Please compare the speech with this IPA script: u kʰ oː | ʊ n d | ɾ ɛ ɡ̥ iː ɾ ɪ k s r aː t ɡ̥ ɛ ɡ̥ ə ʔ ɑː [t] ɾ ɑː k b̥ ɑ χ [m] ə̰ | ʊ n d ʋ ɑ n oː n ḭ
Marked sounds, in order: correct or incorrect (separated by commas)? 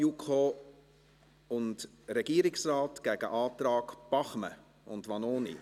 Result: correct, correct